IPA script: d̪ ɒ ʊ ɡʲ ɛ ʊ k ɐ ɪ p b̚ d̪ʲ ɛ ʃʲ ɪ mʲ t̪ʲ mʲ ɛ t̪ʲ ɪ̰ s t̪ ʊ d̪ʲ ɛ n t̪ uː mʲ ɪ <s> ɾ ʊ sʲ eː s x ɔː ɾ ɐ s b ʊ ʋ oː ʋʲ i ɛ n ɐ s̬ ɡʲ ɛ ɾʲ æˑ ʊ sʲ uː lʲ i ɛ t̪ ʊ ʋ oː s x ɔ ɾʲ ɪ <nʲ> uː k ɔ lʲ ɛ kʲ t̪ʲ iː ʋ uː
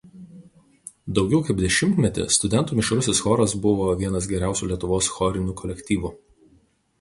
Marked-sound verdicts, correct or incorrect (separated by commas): incorrect, correct